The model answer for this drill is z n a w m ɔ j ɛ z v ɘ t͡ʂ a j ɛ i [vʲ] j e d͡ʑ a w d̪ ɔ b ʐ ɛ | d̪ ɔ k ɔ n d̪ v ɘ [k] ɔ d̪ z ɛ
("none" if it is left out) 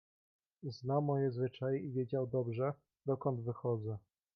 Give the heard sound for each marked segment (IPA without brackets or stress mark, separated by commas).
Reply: vʲ, x